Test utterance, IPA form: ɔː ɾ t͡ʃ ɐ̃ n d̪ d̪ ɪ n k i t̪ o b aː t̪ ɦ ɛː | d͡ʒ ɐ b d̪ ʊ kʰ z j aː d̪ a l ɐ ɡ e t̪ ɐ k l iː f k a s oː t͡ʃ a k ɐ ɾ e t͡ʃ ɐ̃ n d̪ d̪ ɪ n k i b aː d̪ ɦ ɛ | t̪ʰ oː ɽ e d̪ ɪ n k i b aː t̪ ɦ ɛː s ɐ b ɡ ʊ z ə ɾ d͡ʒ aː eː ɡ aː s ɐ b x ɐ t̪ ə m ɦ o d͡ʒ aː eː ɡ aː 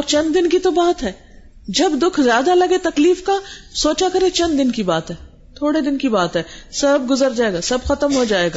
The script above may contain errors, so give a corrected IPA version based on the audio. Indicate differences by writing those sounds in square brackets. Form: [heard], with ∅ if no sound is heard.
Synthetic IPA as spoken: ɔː ɾ t͡ʃ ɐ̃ n d̪ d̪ ɪ n k i t̪ o b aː t̪ ɦ ɛː | d͡ʒ ɐ b d̪ ʊ kʰ z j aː d̪ a l ɐ ɡ e t̪ ɐ k l iː f k a s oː t͡ʃ a k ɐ ɾ e t͡ʃ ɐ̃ n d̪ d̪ ɪ n k i b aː [t̪] ɦ [ɛː] | t̪ʰ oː ɽ e d̪ ɪ n k i b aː t̪ ɦ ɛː s ɐ b ɡ ʊ z ə ɾ d͡ʒ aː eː ɡ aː s ɐ b x ɐ t̪ ə m ɦ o d͡ʒ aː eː ɡ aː